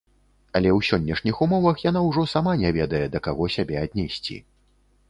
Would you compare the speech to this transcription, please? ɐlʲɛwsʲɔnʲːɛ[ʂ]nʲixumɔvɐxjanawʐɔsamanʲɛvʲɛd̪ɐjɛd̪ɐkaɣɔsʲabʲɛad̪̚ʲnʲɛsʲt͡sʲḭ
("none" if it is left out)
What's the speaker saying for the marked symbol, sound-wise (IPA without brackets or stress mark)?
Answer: ʂ